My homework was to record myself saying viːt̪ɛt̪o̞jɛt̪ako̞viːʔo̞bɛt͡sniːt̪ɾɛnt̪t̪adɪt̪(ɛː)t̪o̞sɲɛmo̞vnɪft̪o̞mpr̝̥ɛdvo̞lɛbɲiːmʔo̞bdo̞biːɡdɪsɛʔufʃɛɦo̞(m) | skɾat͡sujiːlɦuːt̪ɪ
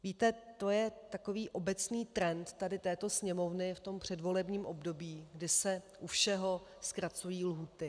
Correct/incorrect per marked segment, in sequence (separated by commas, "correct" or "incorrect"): correct, incorrect